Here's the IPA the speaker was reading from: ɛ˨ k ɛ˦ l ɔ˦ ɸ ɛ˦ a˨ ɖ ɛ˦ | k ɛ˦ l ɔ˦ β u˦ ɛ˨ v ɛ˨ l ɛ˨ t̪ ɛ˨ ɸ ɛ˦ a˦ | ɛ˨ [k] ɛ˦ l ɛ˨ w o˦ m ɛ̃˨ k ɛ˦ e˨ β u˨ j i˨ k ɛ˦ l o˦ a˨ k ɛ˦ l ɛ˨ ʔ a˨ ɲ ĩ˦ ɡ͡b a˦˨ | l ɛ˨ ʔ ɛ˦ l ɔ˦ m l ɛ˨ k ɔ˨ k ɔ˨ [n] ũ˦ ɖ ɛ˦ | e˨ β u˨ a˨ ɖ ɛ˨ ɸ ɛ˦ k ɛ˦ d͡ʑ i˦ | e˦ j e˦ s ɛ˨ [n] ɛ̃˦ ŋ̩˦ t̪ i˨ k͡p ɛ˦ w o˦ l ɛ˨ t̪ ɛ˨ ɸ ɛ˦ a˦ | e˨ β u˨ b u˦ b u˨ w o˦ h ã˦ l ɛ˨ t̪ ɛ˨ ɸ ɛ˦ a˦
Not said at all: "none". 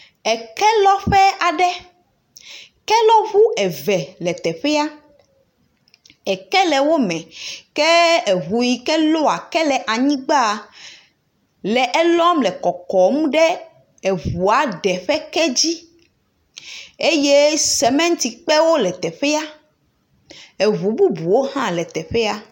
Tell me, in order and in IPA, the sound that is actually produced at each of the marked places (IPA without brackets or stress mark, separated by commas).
k, m, m